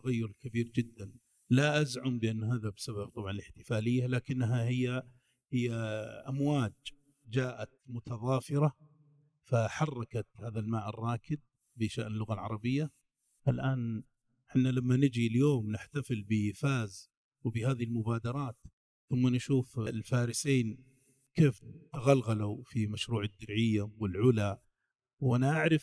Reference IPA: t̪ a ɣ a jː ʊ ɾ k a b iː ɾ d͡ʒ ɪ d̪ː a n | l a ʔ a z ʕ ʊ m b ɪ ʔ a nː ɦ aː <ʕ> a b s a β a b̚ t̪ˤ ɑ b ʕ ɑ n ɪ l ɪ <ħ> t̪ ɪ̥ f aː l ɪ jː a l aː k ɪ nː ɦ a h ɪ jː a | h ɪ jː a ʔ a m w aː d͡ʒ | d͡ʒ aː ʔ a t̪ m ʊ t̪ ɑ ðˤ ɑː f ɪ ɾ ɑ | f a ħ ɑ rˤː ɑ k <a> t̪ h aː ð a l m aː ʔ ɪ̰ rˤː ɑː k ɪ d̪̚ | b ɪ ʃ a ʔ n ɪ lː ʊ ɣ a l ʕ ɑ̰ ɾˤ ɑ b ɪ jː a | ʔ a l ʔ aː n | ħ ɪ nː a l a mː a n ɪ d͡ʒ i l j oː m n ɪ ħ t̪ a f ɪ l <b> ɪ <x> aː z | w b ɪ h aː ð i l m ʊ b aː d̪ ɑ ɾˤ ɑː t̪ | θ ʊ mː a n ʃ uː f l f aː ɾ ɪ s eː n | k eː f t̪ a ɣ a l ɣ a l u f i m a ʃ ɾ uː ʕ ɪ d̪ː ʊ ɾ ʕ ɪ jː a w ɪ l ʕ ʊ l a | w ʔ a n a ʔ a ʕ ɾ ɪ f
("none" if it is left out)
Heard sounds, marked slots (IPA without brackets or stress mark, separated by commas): ð, ħ, a, b, f